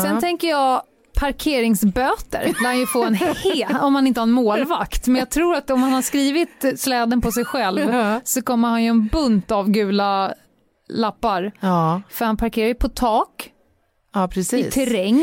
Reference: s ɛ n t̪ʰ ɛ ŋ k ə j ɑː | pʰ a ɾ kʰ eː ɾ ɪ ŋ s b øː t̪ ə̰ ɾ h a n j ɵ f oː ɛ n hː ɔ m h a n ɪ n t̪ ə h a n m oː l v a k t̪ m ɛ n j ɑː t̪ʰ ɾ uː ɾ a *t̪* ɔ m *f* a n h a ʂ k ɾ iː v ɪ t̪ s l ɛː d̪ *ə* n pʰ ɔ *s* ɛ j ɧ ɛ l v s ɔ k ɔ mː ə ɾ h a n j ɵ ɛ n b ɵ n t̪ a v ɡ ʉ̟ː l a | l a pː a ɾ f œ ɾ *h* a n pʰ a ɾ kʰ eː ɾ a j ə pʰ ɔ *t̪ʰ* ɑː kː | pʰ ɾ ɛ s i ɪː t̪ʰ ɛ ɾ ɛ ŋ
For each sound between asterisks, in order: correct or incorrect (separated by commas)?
correct, incorrect, correct, correct, correct, correct